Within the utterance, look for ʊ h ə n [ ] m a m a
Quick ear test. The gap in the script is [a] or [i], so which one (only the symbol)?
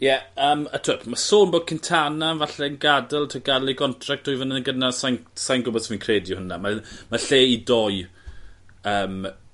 a